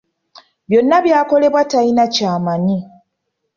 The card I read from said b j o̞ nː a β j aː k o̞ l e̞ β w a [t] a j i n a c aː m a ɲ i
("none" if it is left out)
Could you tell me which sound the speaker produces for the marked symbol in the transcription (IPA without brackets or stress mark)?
t